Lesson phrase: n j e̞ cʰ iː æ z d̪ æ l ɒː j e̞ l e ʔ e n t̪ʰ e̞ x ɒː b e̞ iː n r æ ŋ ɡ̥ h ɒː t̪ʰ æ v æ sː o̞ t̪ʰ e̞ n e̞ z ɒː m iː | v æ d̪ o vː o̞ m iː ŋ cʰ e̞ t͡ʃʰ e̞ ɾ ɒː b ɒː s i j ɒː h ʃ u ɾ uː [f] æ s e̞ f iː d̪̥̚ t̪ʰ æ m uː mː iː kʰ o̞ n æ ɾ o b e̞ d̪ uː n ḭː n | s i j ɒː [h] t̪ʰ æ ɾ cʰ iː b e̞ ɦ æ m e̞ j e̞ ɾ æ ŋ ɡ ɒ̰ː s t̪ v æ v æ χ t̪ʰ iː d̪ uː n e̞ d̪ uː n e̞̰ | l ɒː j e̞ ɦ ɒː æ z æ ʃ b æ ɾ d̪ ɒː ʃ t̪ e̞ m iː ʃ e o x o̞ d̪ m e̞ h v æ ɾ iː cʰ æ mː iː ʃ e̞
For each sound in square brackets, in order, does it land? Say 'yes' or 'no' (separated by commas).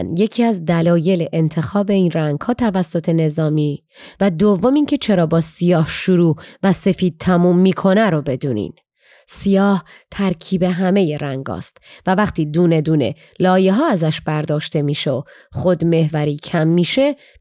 no, yes